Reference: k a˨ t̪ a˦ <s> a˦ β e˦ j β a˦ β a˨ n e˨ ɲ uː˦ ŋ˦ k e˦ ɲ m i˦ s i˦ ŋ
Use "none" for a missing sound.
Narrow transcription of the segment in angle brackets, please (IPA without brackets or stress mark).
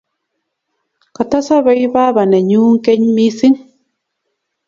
s